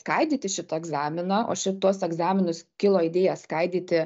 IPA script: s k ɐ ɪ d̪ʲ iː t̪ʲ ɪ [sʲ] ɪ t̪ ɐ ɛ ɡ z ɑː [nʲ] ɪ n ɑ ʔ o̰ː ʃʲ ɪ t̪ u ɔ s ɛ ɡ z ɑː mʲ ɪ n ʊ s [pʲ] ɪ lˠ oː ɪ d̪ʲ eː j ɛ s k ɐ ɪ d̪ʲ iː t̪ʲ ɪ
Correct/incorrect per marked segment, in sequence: incorrect, incorrect, incorrect

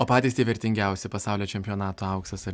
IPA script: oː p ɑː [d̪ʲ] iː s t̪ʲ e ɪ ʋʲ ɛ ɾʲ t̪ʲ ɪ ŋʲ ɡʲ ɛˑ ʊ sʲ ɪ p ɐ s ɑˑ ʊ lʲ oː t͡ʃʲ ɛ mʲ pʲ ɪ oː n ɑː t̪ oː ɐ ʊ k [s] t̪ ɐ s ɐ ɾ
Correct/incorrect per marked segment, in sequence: incorrect, correct

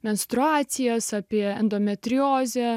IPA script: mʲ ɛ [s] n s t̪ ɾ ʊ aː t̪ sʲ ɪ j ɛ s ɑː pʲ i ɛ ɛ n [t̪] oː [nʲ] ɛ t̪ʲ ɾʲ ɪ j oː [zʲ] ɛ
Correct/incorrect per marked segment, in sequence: incorrect, incorrect, incorrect, correct

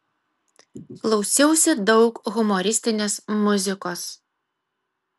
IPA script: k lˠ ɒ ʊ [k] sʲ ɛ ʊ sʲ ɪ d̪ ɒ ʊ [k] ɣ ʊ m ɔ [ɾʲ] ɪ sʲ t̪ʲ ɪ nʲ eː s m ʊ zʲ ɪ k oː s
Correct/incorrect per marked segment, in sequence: incorrect, correct, correct

